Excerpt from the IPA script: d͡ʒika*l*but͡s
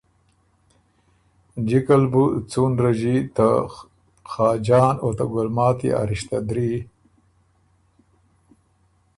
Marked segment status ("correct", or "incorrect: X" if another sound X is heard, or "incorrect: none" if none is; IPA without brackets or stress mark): correct